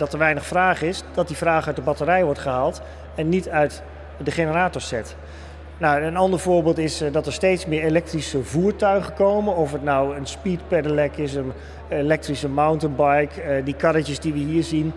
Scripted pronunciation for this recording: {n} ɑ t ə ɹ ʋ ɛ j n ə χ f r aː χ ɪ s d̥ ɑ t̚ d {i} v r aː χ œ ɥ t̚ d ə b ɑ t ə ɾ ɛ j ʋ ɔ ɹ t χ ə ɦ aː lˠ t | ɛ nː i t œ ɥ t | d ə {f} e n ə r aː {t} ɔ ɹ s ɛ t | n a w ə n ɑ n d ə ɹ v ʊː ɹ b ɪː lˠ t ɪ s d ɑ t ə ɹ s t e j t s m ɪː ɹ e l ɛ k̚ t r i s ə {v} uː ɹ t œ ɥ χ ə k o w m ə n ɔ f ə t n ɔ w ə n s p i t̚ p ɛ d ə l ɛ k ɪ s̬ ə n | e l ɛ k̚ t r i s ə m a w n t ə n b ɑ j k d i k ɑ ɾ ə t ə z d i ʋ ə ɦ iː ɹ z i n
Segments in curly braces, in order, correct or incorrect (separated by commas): incorrect, correct, incorrect, correct, correct